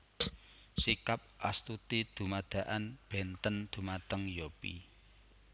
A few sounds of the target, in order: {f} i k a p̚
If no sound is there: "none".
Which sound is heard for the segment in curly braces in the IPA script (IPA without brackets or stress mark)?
s